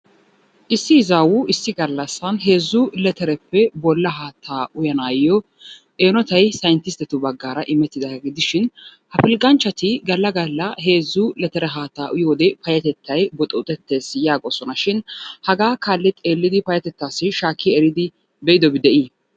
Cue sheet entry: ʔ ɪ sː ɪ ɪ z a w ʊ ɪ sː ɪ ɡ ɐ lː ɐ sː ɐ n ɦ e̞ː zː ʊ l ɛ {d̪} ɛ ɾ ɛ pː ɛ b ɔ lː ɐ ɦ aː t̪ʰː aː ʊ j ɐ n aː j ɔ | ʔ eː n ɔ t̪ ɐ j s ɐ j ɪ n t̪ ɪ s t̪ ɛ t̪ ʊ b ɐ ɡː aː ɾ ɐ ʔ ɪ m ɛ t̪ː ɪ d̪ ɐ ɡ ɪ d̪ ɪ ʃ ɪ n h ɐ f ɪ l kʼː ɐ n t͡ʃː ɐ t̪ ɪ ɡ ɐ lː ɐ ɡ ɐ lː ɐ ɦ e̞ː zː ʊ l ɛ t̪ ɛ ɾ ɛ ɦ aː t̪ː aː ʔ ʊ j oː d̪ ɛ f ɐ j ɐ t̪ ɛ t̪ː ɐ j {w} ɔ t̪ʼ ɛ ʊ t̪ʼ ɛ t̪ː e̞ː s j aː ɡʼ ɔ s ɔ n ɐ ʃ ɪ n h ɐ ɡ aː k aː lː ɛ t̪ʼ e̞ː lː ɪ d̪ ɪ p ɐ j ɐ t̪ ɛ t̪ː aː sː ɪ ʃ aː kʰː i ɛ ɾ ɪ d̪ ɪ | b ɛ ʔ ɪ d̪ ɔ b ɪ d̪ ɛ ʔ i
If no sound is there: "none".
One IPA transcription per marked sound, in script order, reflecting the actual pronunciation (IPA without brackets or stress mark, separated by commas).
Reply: t̪, b